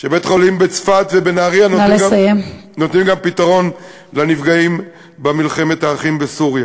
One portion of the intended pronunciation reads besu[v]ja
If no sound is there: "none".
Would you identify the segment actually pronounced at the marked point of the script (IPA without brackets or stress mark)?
ʁ